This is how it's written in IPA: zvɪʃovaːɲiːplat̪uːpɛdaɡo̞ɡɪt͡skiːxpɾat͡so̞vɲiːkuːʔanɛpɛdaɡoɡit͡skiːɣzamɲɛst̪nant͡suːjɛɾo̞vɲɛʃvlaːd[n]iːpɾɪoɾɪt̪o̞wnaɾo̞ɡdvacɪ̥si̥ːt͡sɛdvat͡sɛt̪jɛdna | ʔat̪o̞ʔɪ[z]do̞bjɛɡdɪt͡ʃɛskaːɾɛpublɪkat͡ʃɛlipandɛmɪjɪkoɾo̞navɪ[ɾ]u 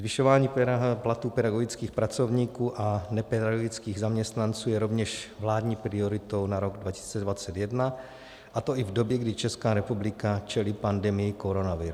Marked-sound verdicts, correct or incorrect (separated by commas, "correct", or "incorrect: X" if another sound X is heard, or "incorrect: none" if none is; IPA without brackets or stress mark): incorrect: ɲ, incorrect: v, correct